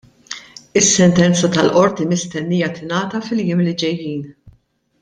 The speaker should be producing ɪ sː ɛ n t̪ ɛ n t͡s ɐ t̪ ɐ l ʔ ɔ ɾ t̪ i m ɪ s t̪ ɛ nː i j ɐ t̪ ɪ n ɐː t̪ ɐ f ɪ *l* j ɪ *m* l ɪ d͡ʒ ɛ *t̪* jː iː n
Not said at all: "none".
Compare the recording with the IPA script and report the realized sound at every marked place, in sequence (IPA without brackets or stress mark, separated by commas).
l, m, none